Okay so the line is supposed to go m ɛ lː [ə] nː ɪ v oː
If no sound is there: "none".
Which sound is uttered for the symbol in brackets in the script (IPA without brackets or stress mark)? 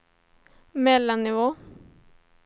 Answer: a